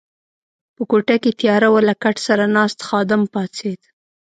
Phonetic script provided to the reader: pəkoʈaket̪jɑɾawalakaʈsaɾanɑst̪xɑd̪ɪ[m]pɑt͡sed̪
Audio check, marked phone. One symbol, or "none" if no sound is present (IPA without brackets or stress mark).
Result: m